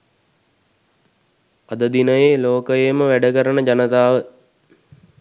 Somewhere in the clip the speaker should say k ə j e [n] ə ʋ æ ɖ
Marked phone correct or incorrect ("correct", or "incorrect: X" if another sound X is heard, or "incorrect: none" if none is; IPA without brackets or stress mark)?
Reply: incorrect: m